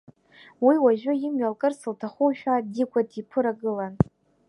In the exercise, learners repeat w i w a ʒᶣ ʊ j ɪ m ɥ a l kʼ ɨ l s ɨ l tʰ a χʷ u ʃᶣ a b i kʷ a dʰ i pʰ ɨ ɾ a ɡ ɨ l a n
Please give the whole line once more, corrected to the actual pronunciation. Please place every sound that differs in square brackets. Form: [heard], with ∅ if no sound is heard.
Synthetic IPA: w i w a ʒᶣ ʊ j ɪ m ɥ a l kʼ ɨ [r] s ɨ l tʰ a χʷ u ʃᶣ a [d] i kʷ a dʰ i pʰ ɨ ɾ a ɡ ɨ l a n